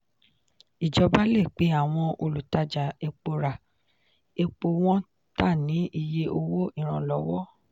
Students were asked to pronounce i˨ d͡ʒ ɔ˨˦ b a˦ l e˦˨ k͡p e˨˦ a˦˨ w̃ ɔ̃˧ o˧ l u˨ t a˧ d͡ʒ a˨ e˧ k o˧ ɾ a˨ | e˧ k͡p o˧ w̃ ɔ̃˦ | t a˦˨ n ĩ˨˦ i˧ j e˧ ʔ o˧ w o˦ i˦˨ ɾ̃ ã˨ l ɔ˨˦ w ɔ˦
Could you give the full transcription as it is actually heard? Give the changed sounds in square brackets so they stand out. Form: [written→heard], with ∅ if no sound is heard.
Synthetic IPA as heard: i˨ d͡ʒ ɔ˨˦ b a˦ l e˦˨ k͡p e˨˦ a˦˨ w̃ ɔ̃˧ o˧ l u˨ t a˧ d͡ʒ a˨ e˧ [k→k͡p] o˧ ɾ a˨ | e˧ k͡p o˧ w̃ ɔ̃˦ | t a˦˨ n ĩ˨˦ i˧ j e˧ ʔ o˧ w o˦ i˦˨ ɾ̃ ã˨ l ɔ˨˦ w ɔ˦